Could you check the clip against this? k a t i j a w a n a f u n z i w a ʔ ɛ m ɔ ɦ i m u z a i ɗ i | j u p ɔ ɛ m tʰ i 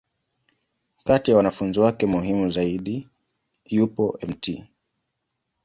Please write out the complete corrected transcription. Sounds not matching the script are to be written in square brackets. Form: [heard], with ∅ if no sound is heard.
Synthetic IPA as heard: k a t i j a w a n a f u n z i w a [k] ɛ m [u] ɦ i m u z a i ɗ i | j u p ɔ ɛ m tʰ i